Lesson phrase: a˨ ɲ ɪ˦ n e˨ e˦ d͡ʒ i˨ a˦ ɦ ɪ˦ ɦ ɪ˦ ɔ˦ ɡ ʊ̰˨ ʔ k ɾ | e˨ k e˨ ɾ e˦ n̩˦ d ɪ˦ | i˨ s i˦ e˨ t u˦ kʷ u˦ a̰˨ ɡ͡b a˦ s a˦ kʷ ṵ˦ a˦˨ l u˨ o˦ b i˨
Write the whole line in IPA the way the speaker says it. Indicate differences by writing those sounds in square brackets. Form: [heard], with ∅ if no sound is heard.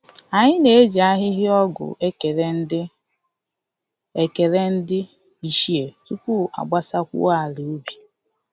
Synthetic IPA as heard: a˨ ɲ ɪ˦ n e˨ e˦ d͡ʒ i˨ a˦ ɦ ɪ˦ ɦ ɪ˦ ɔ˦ ɡ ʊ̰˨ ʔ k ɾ | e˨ k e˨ ɾ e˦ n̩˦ d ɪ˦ | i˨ [ʃ] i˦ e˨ t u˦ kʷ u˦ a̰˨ ɡ͡b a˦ s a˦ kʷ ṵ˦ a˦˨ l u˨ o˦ b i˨